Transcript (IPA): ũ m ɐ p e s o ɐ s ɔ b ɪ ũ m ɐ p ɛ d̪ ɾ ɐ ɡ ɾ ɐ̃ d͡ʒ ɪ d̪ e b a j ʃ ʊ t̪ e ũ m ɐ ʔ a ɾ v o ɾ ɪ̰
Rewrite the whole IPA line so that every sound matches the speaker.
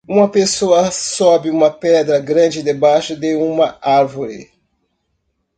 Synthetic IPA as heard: ũ m ɐ p e s o ɐ s ɔ b ɪ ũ m ɐ p ɛ d̪ ɾ ɐ ɡ ɾ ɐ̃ d͡ʒ ɪ d̪ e b a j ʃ ʊ d̪ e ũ m ɐ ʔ a ɾ v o ɾ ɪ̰